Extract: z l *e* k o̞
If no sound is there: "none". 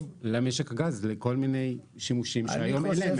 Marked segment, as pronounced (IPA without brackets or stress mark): e